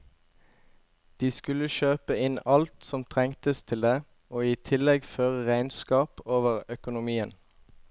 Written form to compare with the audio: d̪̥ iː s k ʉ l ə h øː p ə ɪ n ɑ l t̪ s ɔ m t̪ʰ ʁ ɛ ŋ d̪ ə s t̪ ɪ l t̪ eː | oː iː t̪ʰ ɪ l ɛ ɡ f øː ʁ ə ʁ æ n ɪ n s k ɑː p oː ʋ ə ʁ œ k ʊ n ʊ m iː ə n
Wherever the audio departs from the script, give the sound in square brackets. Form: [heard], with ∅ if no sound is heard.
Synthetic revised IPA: d̪̥ iː s k ʉ l ə [ʃ] øː p ə ɪ n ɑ l t̪ s ɔ m t̪ʰ ʁ ɛ ŋ [t̪] ə s [t̪ʰ] ɪ l [d̪] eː | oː iː t̪ʰ ɪ l ɛ ɡ f øː ʁ ə ʁ æ [∅] ɪ n s k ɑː p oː ʋ ə ʁ œ k ʊ n ʊ m iː ə n

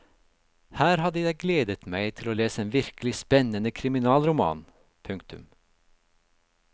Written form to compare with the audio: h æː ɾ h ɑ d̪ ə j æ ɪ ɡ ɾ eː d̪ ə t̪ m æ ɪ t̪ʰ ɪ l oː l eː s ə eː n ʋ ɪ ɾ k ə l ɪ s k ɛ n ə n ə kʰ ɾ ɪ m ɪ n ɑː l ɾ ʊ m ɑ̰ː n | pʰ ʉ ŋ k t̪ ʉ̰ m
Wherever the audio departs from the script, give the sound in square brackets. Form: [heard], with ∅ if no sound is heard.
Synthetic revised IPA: h æː ɾ h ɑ d̪ ə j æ ɪ ɡ [l] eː d̪ ə t̪ m æ ɪ t̪ʰ ɪ l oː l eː s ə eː n ʋ ɪ ɾ k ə l ɪ s [p] ɛ n ə n ə kʰ ɾ ɪ m ɪ n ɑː l ɾ ʊ m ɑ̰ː n | pʰ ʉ ŋ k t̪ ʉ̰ m

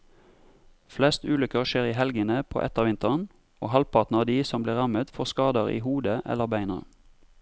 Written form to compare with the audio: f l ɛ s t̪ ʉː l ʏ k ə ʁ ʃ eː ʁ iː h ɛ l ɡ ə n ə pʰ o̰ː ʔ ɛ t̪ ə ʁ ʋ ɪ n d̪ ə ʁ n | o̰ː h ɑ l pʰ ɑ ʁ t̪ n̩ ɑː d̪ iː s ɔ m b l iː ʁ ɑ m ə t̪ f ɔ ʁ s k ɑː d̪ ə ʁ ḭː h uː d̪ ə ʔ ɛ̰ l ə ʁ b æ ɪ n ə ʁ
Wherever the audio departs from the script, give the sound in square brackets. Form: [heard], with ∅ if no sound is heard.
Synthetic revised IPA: f l ɛ s t̪ ʉː l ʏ k ə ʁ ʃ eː ʁ iː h ɛ l ɡ ə n ə pʰ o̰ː ʔ ɛ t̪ ə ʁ ʋ ɪ n [t̪] ə ʁ n | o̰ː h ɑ l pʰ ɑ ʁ t̪ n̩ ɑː d̪ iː s ɔ m b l iː ʁ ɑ m ə t̪ f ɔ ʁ s k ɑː d̪ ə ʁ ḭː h uː d̪ ə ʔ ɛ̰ l ə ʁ b æ ɪ n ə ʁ

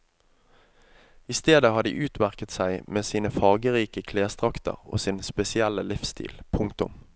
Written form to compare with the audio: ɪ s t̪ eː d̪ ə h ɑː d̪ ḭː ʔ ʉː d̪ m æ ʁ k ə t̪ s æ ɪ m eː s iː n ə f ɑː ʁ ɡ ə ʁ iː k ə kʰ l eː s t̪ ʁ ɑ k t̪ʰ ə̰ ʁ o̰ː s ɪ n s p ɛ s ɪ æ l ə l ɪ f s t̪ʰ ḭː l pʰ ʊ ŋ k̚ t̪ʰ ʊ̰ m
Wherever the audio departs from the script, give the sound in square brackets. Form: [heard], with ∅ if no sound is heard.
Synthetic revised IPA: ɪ s t̪ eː d̪ ə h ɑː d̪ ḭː ʔ ʉː [t̪] m æ ʁ k ə t̪ s æ ɪ m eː s iː n ə f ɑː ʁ ɡ ə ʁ iː k ə kʰ l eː s t̪ ʁ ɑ k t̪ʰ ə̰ ʁ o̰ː s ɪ n s p ɛ s ɪ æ l ə l ɪ f s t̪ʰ ḭː l pʰ ʊ ŋ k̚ [t̪] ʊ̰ m

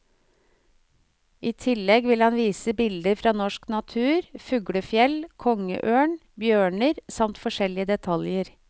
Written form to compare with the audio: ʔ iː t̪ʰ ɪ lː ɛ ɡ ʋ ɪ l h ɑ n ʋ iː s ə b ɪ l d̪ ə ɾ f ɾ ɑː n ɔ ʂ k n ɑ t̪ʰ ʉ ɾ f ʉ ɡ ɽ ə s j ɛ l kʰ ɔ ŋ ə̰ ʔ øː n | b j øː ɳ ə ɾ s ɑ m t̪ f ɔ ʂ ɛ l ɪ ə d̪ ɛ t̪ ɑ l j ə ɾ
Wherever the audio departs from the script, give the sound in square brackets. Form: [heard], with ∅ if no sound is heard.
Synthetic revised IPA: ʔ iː t̪ʰ ɪ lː ɛ ɡ ʋ ɪ l h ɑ n ʋ iː s ə b ɪ l d̪ ə ɾ f ɾ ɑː n ɔ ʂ k n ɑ t̪ʰ [ʉː] ɾ f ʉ ɡ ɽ ə [f] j ɛ l kʰ ɔ ŋ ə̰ ʔ øː [ɳ] | b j øː ɳ ə ɾ s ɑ m t̪ f ɔ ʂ ɛ l ɪ ə d̪ ɛ [t̪ʰ] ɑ l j ə ɾ

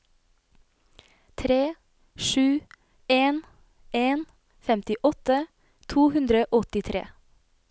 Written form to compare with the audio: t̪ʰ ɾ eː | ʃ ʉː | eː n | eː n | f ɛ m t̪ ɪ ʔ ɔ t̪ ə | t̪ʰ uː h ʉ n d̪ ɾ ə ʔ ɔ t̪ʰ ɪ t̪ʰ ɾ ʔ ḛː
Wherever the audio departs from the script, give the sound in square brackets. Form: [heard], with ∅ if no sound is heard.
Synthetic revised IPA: t̪ʰ ɾ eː | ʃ ʉː | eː n | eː n | f ɛ m t̪ ɪ ʔ ɔ t̪ ə | t̪ʰ uː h ʉ n d̪ ɾ ə ʔ ɔ [t̪] ɪ t̪ʰ ɾ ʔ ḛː

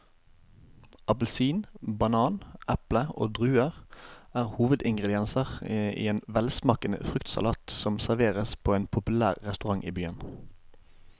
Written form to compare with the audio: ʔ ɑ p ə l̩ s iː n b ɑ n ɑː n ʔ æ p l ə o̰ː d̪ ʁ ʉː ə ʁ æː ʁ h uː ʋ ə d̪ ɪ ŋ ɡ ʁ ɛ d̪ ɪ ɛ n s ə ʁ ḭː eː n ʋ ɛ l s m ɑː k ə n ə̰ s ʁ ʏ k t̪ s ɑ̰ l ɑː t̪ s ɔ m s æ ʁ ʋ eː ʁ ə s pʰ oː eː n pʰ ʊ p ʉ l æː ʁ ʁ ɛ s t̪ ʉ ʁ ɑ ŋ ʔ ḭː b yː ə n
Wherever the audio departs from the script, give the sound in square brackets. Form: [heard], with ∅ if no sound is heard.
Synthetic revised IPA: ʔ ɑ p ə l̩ s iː n b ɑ n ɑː n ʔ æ p l ə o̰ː d̪ ʁ ʉː ə ʁ æː ʁ h uː ʋ ə d̪ ɪ ŋ ɡ ʁ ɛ d̪ ɪ ɛ n s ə ʁ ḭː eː n ʋ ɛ l s m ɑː k ə n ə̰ [f] ʁ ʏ k t̪ s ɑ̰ l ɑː t̪ s ɔ m s æ ʁ ʋ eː ʁ ə s pʰ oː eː n pʰ ʊ p ʉ l æː ʁ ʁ ɛ s t̪ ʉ ʁ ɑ ŋ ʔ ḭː b yː ə n

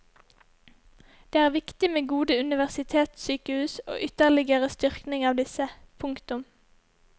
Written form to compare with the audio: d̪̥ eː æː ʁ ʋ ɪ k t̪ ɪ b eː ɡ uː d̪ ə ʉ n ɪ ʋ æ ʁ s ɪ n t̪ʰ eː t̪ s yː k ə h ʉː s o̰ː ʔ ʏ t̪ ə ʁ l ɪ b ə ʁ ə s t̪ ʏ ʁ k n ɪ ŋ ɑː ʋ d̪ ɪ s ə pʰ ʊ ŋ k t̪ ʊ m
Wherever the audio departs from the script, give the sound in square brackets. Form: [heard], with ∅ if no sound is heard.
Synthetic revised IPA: d̪̥ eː æː ʁ ʋ ɪ k t̪ ɪ [m] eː ɡ uː d̪ ə ʉ n ɪ ʋ æ ʁ s ɪ [∅] t̪ʰ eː t̪ s yː k ə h ʉː s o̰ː ʔ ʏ t̪ ə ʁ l ɪ [ɡ] ə ʁ ə s t̪ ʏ ʁ k n ɪ ŋ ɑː ʋ d̪ ɪ s ə pʰ ʊ ŋ k t̪ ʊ m

